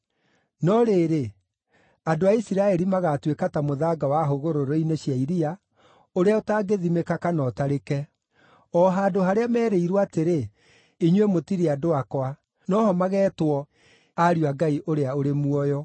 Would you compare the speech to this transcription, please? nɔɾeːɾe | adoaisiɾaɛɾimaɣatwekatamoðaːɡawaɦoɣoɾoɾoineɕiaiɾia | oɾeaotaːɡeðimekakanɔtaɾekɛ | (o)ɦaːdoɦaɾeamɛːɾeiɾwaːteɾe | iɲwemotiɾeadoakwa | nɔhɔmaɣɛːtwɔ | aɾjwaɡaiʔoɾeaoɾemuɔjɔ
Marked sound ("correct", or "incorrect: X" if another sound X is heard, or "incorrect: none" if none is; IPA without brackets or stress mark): incorrect: ɔ